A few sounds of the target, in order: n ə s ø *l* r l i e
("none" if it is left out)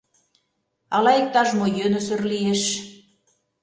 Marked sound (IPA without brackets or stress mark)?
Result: none